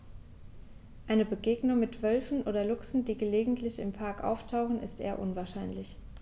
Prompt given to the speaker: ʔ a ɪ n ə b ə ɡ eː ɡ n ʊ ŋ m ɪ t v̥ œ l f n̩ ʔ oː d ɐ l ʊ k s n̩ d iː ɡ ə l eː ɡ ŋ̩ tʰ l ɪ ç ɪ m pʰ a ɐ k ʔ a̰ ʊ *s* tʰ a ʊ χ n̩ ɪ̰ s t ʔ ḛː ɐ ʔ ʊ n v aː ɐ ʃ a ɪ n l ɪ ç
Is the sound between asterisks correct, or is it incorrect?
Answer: incorrect